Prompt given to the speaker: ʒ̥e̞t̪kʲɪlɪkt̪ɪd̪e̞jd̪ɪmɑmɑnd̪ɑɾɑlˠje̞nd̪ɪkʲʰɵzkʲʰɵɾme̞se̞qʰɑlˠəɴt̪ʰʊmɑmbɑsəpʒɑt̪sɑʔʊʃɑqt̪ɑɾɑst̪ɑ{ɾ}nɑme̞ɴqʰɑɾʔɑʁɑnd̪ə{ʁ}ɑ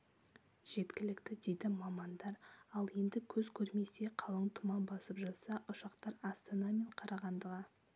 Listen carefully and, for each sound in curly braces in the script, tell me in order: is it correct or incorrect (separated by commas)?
incorrect, correct